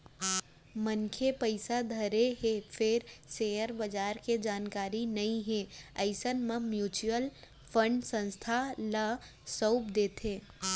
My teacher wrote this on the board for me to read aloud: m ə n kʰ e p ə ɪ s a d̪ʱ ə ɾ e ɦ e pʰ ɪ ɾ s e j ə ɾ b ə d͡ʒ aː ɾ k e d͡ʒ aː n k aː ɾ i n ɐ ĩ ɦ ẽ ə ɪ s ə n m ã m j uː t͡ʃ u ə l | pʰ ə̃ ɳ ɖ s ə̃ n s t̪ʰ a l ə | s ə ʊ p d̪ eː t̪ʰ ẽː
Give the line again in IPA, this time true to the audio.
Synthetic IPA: m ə n kʰ e p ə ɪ s a d̪ʱ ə ɾ e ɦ e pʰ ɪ ɾ s e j ə ɾ b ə d͡ʒ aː ɾ k e d͡ʒ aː n k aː ɾ i n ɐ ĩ ɦ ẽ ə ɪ s ə n m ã m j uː t͡ʃ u ə l | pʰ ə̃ ɳ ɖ s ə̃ n s t̪ʰ a l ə | s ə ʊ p d̪ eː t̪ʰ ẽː